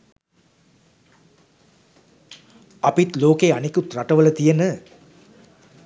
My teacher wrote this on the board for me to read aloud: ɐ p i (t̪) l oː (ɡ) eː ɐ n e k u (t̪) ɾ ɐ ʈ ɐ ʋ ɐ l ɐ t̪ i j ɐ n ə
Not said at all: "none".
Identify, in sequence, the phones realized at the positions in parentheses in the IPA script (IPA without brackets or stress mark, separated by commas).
t̪, k, t̪